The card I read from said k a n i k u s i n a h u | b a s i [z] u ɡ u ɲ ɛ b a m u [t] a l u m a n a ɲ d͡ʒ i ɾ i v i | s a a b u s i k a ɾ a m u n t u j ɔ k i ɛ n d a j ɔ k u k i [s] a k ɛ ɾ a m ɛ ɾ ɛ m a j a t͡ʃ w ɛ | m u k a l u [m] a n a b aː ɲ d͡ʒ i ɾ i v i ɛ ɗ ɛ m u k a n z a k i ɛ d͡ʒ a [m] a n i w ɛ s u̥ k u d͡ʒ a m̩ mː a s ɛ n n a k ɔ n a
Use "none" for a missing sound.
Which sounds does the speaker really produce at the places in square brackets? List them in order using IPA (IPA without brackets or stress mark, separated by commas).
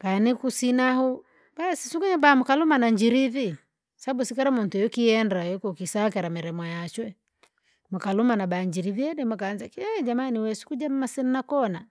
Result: s, k, s, m, m